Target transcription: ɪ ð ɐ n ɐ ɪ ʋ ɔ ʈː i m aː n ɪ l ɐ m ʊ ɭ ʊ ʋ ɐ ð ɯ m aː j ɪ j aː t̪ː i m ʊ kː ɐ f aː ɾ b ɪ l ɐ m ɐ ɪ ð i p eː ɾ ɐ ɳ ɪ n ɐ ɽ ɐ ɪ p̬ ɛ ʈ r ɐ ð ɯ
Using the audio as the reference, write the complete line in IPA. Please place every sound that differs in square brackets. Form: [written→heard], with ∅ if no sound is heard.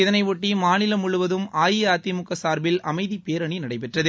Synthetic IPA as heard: ɪ ð ɐ n ɐ ɪ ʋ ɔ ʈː i m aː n ɪ l ɐ m ʊ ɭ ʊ ʋ ɐ ð ɯ m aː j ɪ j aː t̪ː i m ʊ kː ɐ [f→s] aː ɾ b ɪ l ɐ m ɐ ɪ ð i p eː ɾ ɐ ɳ [ɪ→i] n ɐ ɽ ɐ ɪ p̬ ɛ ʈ r ɐ ð ɯ